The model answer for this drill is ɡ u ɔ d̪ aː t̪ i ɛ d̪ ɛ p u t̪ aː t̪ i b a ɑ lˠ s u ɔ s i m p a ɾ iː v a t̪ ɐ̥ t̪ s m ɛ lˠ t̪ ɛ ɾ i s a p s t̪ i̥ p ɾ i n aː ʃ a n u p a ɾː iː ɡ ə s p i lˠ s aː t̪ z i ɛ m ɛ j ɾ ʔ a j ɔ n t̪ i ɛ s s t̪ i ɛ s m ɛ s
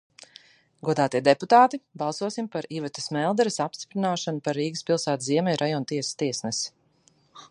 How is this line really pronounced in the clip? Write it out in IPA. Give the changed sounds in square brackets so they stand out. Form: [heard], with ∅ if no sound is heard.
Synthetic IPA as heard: ɡ u ɔ d̪ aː t̪ i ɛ d̪ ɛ p u t̪ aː t̪ i b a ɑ lˠ s u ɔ s i m p a ɾ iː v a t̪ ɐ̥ [∅] s m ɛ lˠ [d̪] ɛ ɾ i s a p s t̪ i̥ p ɾ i n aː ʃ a n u p a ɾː iː ɡ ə s p i lˠ s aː t̪ z i ɛ m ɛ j ɾ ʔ a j ɔ n t̪ i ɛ s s t̪ i ɛ s [n] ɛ s